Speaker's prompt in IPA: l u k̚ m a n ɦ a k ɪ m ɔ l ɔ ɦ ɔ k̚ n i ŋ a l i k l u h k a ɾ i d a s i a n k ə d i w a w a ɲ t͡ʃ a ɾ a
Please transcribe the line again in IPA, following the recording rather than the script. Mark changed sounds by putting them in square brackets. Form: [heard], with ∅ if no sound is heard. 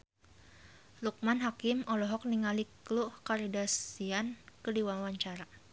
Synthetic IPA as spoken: l u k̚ m a n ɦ a k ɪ m ɔ l ɔ ɦ ɔ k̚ n i ŋ a l i k l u h k a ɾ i d a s i a n k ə d i w a w a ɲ t͡ʃ a ɾ a